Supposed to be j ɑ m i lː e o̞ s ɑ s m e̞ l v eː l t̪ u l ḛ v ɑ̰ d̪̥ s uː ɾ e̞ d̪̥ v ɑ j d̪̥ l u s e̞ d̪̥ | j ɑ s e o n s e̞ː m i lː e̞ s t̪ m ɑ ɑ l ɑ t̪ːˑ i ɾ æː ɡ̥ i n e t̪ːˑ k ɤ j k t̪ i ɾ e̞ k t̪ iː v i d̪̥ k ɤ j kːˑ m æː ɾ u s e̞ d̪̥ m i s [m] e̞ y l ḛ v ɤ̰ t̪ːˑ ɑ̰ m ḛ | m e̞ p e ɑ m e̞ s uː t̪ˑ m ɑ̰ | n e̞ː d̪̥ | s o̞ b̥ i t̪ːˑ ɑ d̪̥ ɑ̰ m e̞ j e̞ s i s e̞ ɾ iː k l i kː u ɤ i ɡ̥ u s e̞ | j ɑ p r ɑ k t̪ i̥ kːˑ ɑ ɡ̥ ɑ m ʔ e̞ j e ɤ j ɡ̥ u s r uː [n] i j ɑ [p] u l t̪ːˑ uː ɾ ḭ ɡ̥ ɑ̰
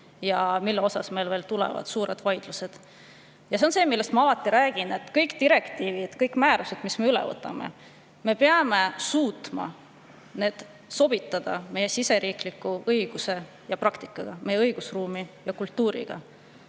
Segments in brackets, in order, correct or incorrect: correct, incorrect, incorrect

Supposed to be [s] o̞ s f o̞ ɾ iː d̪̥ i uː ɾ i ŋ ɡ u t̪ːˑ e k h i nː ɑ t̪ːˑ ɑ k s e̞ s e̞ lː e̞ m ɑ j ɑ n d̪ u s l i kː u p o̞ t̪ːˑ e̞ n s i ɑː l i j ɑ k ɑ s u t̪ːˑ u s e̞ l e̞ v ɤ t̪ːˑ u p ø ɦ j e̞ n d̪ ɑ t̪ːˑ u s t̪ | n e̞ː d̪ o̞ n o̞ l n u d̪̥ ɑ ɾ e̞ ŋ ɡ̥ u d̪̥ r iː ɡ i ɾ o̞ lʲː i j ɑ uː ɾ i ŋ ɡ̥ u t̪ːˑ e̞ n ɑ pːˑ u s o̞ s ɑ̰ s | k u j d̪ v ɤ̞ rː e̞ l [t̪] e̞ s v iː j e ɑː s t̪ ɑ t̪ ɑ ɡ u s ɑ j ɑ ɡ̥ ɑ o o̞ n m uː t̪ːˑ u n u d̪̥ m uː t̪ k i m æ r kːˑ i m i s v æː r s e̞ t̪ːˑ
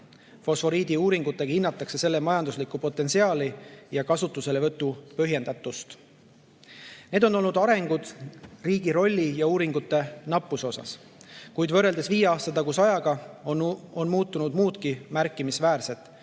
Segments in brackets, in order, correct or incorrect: incorrect, incorrect

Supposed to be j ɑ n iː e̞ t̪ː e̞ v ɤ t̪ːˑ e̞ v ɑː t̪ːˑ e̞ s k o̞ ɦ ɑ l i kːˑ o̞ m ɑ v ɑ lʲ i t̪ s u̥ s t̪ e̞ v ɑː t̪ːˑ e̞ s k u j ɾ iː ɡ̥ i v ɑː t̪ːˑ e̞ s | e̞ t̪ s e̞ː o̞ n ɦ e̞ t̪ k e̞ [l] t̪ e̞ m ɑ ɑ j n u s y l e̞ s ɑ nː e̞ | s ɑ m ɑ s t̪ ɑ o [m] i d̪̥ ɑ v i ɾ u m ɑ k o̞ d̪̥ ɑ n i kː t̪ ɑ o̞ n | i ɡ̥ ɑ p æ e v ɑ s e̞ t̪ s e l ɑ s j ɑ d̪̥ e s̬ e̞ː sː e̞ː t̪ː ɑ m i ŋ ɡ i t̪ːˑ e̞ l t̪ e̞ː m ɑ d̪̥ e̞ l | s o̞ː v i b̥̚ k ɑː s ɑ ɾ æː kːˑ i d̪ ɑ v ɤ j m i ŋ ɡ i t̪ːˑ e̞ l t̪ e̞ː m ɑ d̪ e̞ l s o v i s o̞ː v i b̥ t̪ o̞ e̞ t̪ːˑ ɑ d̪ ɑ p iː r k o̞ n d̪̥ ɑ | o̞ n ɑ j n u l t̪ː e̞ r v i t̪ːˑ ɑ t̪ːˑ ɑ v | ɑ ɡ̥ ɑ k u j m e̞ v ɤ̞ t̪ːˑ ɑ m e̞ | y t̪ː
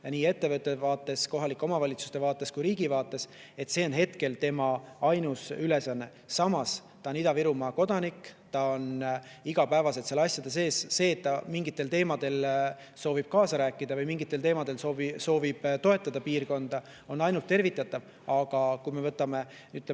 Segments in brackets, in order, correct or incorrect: correct, incorrect

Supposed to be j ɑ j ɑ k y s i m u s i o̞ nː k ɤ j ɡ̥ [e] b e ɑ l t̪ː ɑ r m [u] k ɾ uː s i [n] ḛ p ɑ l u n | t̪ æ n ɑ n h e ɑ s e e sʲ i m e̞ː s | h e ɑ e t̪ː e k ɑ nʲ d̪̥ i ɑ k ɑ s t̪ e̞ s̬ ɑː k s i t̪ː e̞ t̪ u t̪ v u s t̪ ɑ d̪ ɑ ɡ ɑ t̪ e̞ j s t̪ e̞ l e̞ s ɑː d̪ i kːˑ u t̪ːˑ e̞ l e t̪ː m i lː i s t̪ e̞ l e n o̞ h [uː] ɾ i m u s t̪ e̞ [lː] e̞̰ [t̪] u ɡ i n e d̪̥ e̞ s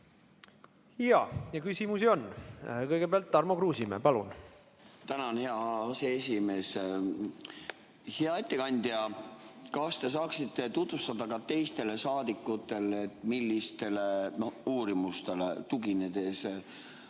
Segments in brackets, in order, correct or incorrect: correct, incorrect, incorrect, correct, incorrect, correct

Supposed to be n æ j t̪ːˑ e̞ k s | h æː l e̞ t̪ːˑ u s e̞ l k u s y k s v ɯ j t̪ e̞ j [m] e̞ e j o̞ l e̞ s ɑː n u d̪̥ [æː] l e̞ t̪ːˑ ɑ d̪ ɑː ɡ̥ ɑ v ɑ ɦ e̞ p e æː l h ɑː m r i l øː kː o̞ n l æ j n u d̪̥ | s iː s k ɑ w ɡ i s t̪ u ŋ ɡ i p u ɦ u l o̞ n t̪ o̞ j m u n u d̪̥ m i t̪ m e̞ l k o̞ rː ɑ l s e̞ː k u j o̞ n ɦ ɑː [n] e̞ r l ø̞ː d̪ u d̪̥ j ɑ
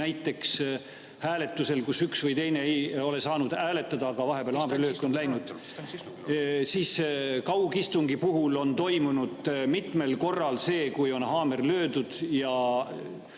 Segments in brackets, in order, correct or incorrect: incorrect, correct, incorrect

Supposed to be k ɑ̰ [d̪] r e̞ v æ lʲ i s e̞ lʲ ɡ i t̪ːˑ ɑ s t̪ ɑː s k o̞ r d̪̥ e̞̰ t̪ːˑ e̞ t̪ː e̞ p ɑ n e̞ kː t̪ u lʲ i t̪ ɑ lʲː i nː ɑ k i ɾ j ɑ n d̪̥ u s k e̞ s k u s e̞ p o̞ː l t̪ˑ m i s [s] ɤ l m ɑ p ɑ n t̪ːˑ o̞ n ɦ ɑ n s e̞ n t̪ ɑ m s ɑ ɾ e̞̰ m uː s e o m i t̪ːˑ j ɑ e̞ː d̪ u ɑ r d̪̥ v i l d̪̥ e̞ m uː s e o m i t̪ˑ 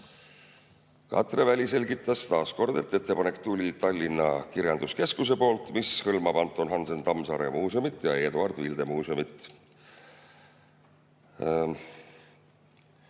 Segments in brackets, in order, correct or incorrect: incorrect, incorrect

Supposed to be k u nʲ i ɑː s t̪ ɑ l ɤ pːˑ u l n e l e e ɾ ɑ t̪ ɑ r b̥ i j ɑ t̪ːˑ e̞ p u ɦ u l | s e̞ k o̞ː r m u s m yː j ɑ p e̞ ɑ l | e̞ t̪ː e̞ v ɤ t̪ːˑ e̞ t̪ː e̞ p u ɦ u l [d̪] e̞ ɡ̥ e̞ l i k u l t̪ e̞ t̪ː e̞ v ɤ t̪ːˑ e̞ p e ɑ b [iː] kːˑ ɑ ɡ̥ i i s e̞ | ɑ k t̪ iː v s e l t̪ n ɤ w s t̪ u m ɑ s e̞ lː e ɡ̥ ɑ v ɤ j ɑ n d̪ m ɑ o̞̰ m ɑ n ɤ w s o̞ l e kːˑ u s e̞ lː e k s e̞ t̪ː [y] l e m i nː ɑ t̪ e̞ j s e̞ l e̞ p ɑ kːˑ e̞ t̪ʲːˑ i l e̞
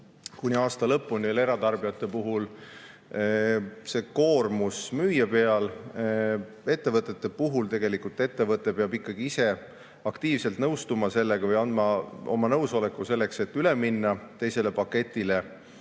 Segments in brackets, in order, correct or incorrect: incorrect, incorrect, correct

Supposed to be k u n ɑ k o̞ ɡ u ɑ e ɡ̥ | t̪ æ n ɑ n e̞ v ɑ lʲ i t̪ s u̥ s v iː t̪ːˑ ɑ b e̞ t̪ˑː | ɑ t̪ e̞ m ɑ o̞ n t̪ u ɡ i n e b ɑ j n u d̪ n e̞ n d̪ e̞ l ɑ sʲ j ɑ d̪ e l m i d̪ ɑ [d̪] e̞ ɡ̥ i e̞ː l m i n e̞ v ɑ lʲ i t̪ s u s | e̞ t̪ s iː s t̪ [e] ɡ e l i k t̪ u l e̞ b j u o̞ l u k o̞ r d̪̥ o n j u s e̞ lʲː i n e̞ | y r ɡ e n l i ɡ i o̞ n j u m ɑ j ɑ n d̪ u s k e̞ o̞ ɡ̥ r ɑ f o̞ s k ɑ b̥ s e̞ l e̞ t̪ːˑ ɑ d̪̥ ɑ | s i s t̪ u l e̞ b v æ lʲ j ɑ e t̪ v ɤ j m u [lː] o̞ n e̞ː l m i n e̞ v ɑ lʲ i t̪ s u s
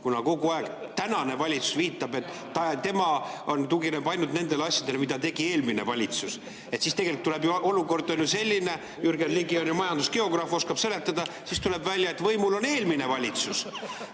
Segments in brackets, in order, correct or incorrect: incorrect, correct, incorrect

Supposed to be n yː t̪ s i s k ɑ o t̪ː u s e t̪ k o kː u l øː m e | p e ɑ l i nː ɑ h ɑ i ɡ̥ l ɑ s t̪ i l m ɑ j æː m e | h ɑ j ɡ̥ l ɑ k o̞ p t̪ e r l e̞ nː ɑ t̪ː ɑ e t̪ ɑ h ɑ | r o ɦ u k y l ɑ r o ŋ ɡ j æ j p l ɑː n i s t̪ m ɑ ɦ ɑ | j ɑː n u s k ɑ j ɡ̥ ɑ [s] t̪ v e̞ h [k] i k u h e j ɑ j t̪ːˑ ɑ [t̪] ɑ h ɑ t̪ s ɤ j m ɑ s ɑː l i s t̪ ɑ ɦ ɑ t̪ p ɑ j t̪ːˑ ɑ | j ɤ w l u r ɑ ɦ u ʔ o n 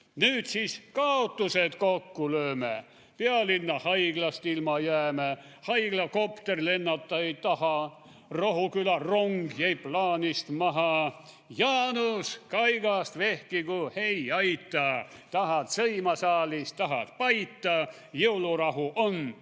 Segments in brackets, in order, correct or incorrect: correct, correct, correct

